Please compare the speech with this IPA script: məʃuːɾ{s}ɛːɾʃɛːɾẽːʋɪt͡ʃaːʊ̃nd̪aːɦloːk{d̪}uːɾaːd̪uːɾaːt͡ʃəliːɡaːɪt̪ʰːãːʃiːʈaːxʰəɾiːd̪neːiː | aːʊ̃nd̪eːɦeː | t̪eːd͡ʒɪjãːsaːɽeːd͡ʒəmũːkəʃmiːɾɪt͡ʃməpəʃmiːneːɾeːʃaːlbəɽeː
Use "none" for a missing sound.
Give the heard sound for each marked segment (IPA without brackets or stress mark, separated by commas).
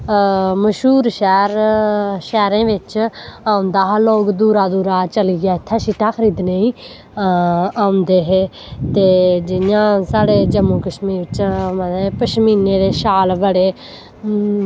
ʃ, d̪